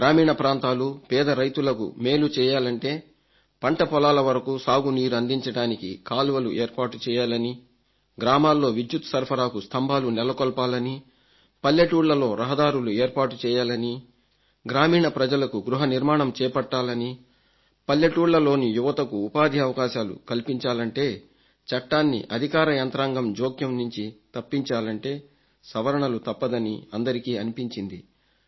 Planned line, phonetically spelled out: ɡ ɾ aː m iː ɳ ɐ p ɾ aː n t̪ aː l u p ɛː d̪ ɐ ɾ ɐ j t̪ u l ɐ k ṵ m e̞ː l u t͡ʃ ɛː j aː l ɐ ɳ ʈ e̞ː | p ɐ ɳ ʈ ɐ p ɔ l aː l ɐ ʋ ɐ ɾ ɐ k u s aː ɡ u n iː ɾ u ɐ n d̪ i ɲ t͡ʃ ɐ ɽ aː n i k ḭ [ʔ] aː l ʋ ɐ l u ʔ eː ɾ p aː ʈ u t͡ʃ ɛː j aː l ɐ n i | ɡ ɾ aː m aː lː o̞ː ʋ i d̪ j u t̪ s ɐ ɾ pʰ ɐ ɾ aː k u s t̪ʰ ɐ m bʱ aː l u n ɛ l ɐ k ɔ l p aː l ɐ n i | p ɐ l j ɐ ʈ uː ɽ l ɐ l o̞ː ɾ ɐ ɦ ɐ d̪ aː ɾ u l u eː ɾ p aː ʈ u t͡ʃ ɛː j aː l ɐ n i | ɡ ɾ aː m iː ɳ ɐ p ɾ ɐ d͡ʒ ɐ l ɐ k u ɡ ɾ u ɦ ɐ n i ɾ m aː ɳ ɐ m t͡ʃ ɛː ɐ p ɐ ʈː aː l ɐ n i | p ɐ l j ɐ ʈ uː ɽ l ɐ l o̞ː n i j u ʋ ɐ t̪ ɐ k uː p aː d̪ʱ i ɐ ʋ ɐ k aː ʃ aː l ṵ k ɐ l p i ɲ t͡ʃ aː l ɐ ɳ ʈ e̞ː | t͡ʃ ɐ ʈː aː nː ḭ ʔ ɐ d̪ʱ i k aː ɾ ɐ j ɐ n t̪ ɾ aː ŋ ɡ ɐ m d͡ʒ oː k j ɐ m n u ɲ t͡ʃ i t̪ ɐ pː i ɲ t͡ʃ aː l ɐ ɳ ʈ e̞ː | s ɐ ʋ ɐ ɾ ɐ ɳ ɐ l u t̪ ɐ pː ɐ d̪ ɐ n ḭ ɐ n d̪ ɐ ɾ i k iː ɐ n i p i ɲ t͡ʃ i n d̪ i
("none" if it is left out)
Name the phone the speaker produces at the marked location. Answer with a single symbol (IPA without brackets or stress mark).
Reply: k